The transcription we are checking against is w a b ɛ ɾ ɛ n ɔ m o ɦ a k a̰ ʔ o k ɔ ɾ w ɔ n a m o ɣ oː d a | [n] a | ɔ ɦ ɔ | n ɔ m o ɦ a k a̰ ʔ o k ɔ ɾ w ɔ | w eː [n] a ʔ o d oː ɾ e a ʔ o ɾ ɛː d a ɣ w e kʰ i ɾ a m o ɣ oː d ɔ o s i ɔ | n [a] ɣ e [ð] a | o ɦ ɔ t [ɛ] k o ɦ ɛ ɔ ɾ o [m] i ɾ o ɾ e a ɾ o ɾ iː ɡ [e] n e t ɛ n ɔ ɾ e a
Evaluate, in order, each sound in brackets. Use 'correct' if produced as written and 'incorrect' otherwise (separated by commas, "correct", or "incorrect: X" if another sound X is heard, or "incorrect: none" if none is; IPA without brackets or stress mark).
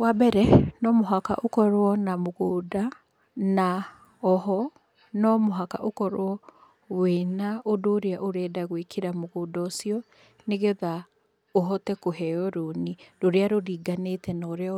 correct, correct, incorrect: e, correct, correct, incorrect: n, incorrect: a